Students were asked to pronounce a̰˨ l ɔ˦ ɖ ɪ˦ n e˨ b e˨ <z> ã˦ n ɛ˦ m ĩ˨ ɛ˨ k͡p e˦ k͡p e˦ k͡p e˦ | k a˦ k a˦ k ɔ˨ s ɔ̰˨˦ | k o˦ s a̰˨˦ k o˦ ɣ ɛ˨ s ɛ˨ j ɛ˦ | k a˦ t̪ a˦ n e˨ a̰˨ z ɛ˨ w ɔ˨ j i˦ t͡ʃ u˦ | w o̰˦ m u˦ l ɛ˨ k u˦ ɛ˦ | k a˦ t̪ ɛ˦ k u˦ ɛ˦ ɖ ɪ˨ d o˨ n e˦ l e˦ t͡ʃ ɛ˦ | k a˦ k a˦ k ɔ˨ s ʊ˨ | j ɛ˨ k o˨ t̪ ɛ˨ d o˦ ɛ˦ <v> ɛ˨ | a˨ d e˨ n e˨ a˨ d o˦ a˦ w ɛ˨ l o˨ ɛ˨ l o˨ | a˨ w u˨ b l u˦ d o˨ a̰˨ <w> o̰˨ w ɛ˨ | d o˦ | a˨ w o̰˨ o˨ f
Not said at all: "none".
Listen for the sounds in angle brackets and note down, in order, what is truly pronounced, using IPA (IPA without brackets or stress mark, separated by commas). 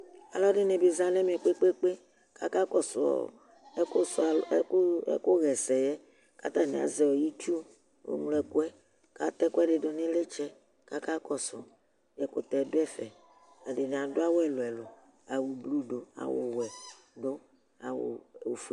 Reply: z, f, w